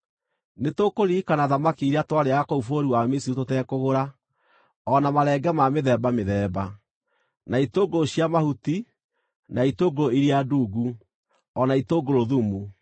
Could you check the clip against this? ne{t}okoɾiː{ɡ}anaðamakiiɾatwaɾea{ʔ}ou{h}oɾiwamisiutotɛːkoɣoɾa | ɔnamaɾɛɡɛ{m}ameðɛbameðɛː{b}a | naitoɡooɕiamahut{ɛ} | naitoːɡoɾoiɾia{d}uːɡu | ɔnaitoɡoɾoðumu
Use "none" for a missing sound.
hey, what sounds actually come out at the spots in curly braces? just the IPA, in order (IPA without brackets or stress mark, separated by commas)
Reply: t, k, k, f, m, b, i, d